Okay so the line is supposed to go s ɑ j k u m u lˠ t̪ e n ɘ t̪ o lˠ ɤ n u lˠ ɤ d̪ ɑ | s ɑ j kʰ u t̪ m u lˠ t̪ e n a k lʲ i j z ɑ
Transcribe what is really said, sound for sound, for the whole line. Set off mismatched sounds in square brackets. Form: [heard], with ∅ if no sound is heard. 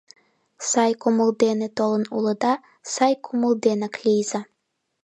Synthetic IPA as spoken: s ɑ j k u m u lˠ [d̪] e n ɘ t̪ o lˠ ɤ n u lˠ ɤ d̪ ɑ | s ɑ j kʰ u [∅] m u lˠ [d̪] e n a k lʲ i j z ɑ